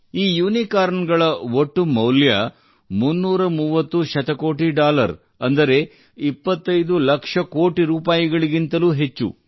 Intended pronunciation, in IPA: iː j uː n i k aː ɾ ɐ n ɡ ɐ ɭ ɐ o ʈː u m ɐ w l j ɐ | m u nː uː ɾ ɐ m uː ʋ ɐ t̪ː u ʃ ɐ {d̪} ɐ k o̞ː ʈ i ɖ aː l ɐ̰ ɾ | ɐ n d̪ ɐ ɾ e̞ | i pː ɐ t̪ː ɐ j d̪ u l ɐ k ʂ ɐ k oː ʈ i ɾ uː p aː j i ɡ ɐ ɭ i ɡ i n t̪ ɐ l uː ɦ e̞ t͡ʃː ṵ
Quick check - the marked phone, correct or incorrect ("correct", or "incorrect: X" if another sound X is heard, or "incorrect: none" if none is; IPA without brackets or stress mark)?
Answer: incorrect: t̪